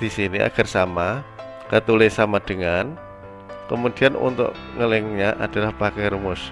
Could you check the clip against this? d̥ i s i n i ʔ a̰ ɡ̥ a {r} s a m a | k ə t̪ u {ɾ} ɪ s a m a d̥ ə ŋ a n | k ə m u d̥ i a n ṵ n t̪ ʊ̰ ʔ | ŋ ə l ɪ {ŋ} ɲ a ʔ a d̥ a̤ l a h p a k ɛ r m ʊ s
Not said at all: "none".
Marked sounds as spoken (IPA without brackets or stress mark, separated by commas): r, l, ŋ